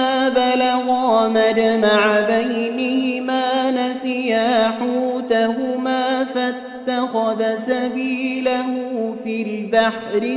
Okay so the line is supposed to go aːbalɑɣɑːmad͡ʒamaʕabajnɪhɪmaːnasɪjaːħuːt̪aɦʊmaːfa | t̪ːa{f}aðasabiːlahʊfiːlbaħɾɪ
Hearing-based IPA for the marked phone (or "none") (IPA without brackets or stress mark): x